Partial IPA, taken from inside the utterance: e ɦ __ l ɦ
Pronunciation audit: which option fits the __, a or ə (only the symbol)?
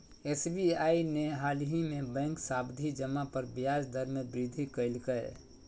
a